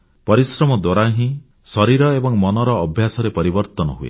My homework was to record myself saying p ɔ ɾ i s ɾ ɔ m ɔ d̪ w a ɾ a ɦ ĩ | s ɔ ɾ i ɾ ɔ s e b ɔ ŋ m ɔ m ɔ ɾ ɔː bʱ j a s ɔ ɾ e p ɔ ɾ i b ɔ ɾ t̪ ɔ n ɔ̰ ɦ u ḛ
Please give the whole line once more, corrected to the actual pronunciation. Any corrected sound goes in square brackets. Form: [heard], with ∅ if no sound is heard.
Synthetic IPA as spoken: p ɔ ɾ i s ɾ ɔ m ɔ d̪ w a ɾ a ɦ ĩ | s ɔ ɾ i ɾ ɔ [∅] e b ɔ ŋ m ɔ [n] ɔ ɾ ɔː bʱ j a s ɔ ɾ e p ɔ ɾ i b ɔ ɾ t̪ ɔ n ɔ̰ ɦ u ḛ